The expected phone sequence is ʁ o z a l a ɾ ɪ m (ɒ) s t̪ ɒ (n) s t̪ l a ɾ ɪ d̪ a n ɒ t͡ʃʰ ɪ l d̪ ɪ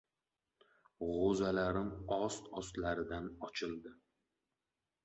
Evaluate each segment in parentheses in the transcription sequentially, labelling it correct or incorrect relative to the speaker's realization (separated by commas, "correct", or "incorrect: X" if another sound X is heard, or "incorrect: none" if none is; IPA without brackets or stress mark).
correct, incorrect: none